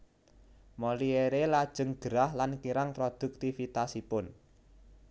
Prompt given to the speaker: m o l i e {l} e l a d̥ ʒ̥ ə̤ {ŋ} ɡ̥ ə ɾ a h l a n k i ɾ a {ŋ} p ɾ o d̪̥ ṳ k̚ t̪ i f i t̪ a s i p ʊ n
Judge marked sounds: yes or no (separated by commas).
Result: no, yes, yes